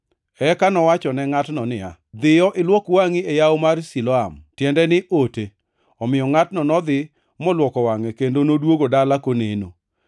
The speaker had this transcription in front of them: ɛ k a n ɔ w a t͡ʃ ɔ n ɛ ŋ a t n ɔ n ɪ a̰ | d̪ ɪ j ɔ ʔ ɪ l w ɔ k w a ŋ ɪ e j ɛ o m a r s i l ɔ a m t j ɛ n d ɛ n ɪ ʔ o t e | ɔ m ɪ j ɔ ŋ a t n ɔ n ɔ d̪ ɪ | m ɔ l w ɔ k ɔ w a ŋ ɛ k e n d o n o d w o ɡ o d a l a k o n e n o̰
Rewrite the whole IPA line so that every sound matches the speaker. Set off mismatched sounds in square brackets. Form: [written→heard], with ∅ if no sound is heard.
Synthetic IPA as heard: ɛ k a n ɔ w a t͡ʃ ɔ n ɛ ŋ a t n ɔ n ɪ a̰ | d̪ ɪ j ɔ ʔ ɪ l w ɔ k w a ŋ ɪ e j [ɛ→a] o m a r s i l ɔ a m t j ɛ n d ɛ n ɪ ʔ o t e | ɔ m ɪ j ɔ ŋ a t n ɔ n ɔ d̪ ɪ | m ɔ l w ɔ k ɔ w a ŋ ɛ k e n d o n o d w o ɡ o d a l a k o n e n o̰